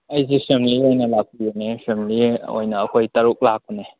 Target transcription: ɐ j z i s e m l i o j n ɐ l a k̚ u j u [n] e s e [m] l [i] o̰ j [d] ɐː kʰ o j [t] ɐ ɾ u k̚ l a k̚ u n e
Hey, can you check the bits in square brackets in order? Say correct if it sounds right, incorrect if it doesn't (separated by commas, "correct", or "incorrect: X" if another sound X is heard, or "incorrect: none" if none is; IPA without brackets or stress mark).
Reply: correct, correct, correct, incorrect: n, correct